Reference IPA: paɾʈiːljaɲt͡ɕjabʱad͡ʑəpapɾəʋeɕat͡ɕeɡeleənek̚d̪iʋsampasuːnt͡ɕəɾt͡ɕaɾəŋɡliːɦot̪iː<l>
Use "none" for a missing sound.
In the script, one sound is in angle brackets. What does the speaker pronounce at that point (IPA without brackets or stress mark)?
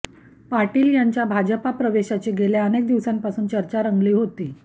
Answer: none